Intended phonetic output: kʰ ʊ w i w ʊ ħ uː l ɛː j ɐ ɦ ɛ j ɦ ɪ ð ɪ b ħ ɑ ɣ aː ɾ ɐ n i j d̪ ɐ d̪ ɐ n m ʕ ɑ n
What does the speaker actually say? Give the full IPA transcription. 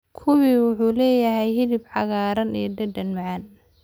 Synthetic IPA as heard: kʰ ʊ w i w ʊ ħ uː l ɛː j ɐ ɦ ɛ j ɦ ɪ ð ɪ b ħ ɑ ɣ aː ɾ ɐ n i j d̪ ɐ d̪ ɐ n m ʕ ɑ n